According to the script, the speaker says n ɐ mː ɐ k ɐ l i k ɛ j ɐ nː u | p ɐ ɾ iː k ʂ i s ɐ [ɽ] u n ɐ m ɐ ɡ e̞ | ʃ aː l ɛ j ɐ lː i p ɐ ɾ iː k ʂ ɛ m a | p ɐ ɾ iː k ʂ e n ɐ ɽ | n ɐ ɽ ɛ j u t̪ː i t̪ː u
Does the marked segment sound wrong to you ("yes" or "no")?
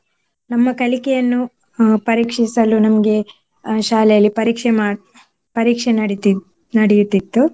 yes